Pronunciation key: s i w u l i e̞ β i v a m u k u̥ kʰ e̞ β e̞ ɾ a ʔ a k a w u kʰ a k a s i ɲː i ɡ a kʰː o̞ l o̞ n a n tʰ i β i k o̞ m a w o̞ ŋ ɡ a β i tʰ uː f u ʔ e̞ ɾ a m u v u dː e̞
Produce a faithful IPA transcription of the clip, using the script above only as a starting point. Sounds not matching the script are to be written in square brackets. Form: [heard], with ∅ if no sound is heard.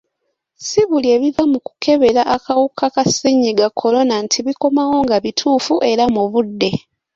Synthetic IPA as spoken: s i [β] u l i e̞ β i v a m u k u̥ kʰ e̞ β e̞ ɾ a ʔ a k a w u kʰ a k a s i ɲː i ɡ a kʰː o̞ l o̞ n a n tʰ i β i k o̞ m a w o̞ ŋ ɡ a β i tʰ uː f u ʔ e̞ ɾ a m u [β] u dː e̞